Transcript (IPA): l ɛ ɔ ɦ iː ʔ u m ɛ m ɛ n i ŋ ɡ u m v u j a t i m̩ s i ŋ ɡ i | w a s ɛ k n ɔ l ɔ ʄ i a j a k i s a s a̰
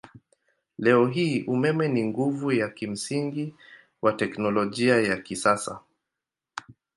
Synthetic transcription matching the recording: l ɛ ɔ ɦ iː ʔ u m ɛ m ɛ n i ŋ ɡ u v u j a k i m̩ s i ŋ ɡ i | w a t ɛ k n ɔ l ɔ ʄ i a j a k i s a s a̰

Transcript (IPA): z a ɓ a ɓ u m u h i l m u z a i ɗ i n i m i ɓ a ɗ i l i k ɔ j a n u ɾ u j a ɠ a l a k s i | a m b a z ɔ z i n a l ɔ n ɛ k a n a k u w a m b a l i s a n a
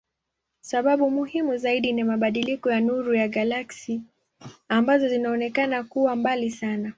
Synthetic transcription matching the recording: s a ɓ a ɓ u m u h i m u z a i ɗ i n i m a ɓ a ɗ i l i k ɔ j a n u ɾ u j a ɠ a l a k s i | a m b a z ɔ z i n a ɔ n ɛ k a n a k u w a m b a l i s a n a

